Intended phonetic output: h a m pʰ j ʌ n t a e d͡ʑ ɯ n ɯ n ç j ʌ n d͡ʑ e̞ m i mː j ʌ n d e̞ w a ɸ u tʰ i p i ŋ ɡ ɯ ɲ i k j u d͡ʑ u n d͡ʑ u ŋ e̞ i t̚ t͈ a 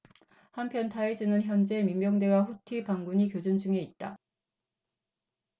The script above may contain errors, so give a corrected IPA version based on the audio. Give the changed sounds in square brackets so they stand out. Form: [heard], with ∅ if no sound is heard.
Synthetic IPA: h a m pʰ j ʌ n t a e d͡ʑ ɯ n ɯ n ç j ʌ n d͡ʑ e̞ m i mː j ʌ [ŋ] d e̞ w a ɸ u tʰ i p [a] ŋ ɡ [u] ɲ i k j [o] d͡ʑ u n d͡ʑ u ŋ e̞ i t̚ t͈ a